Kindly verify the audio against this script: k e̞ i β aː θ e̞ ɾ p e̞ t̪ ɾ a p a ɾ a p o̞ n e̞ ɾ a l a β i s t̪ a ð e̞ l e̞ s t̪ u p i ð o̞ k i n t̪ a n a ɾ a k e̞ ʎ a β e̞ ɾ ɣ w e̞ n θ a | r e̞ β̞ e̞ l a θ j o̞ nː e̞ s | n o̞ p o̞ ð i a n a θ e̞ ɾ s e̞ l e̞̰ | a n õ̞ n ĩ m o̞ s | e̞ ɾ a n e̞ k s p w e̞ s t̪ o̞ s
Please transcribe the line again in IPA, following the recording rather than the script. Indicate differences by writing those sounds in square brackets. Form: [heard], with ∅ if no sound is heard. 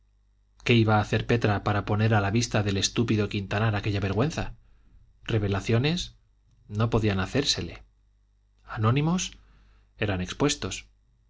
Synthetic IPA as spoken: k e̞ i β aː θ e̞ ɾ p e̞ t̪ ɾ a p a ɾ a p o̞ n e̞ ɾ a l a β i s t̪ a ð e̞ l e̞ s t̪ u p i ð o̞ k i n t̪ a n a ɾ a k e̞ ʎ a β e̞ ɾ ɣ w e̞ n θ a | r e̞ β̞ e̞ l a θ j o̞ [n] e̞ s | n o̞ p o̞ ð i a n a θ e̞ ɾ s e̞ l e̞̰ | a n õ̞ n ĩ m o̞ s | e̞ ɾ a n e̞ k s p w e̞ s t̪ o̞ s